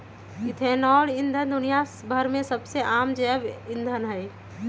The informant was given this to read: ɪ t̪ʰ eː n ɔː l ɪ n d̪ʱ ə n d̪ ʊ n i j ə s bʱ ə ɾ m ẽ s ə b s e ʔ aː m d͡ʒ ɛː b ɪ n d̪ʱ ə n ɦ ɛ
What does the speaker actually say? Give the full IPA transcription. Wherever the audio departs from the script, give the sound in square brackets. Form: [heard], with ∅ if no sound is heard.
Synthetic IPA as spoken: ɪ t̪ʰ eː n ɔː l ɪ n d̪ʱ ə n d̪ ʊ n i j [a] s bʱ ə ɾ m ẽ s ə b s e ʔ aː m d͡ʒ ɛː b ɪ n d̪ʱ ə n ɦ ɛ